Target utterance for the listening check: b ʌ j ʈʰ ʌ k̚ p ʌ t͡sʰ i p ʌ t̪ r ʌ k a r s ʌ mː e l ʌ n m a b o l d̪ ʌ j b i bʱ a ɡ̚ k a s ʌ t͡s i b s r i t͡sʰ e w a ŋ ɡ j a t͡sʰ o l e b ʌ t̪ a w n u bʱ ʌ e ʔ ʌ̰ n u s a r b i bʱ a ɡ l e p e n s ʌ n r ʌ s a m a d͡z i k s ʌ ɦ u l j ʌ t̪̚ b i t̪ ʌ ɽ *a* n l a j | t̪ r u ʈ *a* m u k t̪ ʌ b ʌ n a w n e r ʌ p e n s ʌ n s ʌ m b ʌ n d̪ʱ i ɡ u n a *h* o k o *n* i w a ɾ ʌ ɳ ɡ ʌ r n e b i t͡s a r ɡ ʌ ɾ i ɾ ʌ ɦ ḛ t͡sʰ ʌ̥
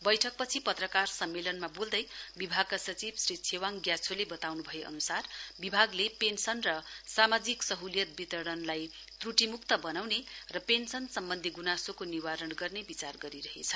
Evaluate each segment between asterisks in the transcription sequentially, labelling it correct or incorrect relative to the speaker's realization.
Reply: incorrect: ʌ, incorrect: i, incorrect: s, correct

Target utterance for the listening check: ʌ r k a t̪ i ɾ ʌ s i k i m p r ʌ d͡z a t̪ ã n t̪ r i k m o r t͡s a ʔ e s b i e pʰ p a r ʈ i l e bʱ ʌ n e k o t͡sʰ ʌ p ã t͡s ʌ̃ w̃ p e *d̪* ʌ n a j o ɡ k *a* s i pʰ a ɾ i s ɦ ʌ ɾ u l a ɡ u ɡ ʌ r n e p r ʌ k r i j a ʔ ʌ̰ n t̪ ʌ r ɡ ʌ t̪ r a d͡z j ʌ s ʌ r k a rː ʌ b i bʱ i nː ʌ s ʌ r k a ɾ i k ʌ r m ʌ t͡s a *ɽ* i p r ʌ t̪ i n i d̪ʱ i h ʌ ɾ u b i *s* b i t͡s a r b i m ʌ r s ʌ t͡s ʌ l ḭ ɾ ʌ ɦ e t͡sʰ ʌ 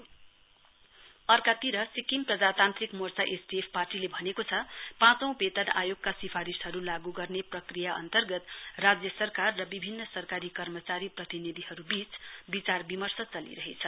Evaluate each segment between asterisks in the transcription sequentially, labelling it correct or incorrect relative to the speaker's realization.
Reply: incorrect: t̪, correct, incorrect: ɾ, incorrect: t͡s

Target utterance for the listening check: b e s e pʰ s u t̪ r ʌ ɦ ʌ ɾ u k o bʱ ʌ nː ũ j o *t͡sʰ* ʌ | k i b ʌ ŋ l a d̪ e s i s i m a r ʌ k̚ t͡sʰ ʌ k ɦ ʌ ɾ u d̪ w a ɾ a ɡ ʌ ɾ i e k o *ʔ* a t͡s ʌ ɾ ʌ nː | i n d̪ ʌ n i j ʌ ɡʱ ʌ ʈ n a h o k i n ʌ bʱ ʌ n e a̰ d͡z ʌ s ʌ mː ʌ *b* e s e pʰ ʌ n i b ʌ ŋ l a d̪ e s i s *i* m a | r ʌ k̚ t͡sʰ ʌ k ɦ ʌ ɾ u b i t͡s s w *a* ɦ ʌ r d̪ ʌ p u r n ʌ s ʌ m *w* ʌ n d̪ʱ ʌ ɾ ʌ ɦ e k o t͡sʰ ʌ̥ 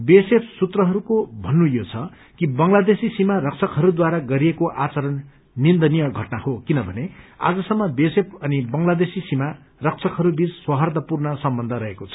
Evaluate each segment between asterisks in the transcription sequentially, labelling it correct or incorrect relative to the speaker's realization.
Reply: correct, correct, correct, correct, incorrect: ʌ, incorrect: b

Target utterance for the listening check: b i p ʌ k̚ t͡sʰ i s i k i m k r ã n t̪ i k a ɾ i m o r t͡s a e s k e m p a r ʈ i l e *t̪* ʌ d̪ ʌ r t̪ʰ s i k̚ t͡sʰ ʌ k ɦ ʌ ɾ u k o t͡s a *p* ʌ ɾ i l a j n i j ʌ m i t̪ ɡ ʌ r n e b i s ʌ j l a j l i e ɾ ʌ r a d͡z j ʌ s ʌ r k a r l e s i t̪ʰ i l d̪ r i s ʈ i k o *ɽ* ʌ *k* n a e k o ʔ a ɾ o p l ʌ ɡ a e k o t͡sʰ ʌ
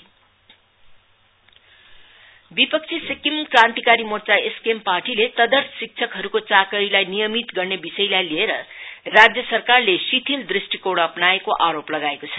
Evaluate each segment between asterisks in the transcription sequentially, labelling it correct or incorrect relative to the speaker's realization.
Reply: correct, incorrect: k, correct, incorrect: p

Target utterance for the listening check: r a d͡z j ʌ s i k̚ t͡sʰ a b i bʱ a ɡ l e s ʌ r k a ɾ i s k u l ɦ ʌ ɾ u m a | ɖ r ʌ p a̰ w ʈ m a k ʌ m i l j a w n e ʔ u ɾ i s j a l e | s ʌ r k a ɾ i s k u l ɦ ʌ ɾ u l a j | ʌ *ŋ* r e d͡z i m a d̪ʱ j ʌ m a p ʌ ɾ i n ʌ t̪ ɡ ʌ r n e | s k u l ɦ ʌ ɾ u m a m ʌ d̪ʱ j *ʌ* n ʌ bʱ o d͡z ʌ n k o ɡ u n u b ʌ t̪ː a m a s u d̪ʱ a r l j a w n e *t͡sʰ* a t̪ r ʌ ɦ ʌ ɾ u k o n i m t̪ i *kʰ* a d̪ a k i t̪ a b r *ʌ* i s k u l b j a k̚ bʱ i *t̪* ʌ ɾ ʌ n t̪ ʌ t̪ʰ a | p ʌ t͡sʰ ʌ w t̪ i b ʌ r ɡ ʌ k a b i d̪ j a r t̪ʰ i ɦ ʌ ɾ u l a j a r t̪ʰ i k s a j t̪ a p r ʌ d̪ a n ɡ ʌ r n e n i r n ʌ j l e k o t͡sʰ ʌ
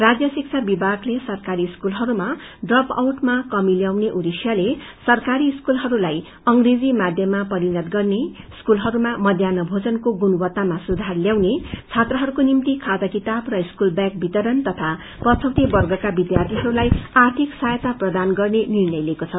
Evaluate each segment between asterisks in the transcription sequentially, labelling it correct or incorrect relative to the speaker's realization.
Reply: correct, incorrect: a, correct, correct, correct, correct

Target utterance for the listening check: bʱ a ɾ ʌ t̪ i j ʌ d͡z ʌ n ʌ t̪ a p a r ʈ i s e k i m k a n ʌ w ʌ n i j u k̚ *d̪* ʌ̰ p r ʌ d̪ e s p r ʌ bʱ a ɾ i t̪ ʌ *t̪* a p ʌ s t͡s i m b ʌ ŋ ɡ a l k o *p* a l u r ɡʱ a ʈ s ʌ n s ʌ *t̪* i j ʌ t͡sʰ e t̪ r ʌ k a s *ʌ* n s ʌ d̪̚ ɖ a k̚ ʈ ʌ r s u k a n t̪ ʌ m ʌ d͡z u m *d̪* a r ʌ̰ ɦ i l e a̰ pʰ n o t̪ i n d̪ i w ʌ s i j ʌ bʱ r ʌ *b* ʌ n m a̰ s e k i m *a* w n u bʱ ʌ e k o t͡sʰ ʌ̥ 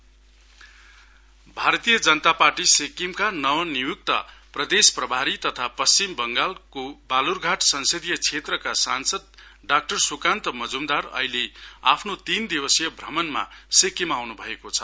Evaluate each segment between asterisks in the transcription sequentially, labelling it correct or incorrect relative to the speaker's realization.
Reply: incorrect: t̪, incorrect: t̪ʰ, incorrect: b, incorrect: d̪, incorrect: a, correct, incorrect: m, correct

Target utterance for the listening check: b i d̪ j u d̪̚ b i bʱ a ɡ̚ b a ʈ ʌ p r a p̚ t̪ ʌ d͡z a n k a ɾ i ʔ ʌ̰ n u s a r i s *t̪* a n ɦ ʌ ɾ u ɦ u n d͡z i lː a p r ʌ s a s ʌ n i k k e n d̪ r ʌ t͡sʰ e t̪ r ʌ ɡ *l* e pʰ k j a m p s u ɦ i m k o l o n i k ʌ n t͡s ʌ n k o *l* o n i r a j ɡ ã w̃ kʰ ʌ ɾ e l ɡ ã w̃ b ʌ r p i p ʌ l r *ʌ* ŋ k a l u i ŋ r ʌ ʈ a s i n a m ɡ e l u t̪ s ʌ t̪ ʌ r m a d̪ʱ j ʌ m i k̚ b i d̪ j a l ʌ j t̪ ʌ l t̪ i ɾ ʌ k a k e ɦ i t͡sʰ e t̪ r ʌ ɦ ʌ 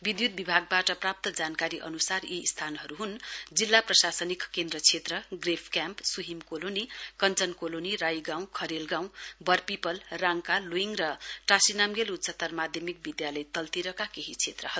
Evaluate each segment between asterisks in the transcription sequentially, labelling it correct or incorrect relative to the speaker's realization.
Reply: incorrect: t̪ʰ, incorrect: r, correct, incorrect: a

